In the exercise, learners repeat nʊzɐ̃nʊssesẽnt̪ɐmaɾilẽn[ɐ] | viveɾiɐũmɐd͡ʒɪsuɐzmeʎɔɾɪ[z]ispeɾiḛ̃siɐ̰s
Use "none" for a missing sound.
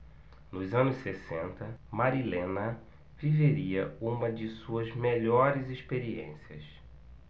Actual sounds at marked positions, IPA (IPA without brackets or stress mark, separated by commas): ɐ, z